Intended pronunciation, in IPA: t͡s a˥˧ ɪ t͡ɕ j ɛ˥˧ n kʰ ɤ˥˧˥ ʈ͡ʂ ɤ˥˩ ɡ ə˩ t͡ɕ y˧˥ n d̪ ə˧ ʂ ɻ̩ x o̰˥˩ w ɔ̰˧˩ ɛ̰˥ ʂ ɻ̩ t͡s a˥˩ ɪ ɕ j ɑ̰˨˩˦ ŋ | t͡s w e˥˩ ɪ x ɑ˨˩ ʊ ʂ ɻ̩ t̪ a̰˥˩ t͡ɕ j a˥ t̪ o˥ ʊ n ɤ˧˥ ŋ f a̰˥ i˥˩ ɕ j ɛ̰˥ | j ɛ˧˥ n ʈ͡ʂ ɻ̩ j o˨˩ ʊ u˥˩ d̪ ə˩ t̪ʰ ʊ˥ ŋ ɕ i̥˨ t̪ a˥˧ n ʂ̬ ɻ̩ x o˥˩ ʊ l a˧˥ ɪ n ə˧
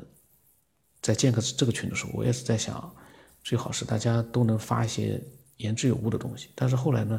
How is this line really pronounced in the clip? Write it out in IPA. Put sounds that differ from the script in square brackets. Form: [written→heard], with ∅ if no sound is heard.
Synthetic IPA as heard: t͡s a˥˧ ɪ t͡ɕ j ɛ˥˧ n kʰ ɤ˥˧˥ ʈ͡ʂ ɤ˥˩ ɡ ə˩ [t͡ɕ→t͡ɕʰ] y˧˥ n d̪ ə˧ ʂ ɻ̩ x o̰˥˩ w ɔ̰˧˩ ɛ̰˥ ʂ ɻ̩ t͡s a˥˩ ɪ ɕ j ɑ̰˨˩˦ ŋ | t͡s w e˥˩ ɪ x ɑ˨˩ ʊ ʂ ɻ̩ t̪ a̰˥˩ t͡ɕ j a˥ t̪ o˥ ʊ n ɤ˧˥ ŋ f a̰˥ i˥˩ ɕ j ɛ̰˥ | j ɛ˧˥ n ʈ͡ʂ ɻ̩ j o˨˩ ʊ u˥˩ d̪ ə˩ [t̪ʰ→t̪] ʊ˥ ŋ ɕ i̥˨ t̪ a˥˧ n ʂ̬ ɻ̩ x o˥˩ ʊ l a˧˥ ɪ n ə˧